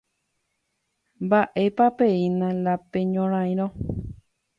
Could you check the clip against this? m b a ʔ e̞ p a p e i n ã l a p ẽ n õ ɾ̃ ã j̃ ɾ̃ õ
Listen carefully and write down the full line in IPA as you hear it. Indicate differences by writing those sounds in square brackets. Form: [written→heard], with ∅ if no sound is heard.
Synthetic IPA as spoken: m b a ʔ e̞ p a p e i n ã l a p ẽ [n→ɲ] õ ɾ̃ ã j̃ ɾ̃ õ